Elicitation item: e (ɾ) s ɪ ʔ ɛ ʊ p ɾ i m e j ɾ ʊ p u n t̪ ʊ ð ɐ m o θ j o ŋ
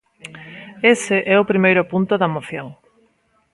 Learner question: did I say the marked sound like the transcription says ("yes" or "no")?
no